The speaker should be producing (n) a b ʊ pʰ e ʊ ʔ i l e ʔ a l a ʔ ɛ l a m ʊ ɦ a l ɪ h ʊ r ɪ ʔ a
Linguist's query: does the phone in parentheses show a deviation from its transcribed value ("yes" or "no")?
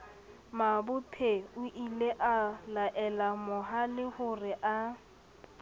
yes